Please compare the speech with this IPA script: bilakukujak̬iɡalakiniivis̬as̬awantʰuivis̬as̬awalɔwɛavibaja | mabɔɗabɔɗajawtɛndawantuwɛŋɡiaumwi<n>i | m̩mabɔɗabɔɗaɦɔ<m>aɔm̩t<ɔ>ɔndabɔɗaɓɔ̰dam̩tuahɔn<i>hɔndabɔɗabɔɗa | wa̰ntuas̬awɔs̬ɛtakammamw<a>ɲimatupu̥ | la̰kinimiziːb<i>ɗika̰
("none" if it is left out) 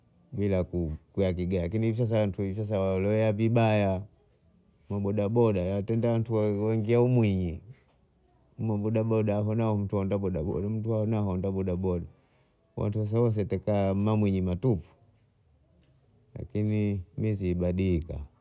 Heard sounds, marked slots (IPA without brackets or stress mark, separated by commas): ɲ, n, u, a, i, a